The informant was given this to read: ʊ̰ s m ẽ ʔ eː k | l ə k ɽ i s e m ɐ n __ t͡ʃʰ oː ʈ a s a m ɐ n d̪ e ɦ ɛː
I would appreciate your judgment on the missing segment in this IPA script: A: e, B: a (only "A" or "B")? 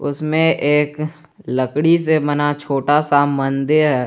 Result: B